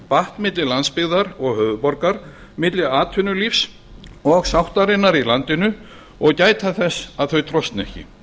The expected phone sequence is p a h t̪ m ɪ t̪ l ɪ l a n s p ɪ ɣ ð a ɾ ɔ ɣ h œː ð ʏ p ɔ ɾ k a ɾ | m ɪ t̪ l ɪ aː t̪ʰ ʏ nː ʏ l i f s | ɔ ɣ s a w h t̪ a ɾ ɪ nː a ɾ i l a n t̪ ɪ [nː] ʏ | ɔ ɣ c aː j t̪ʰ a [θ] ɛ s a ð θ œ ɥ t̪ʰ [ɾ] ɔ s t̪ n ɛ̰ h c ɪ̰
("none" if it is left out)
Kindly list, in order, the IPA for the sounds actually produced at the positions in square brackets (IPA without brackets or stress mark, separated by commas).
n, θ, ɾ